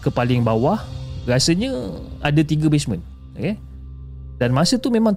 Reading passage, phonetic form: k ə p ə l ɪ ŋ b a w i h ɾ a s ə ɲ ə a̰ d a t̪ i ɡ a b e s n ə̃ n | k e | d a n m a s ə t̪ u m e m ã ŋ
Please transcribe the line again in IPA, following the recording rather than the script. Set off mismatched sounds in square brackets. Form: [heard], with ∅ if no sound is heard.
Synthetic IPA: k ə p [a] l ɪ ŋ b a w [a] h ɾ a s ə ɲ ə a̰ d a t̪ i ɡ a b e s [m] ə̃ n | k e | d a n m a s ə t̪ u m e m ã ŋ